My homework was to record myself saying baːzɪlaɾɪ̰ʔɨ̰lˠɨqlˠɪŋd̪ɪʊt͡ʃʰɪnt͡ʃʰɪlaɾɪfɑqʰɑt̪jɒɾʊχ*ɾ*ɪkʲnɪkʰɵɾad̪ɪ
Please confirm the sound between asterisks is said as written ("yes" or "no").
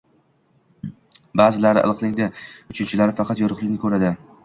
no